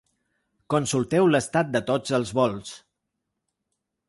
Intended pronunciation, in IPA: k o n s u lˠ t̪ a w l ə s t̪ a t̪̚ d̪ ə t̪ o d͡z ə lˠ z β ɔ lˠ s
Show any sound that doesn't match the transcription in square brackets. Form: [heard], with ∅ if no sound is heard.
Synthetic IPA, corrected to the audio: k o n s u lˠ t̪ [ɛ] w l ə s t̪ a t̪̚ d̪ ə t̪ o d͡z ə lˠ z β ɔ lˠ s